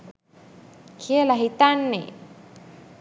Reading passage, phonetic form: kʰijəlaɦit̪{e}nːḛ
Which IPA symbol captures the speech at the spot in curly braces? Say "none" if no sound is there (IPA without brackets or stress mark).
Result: a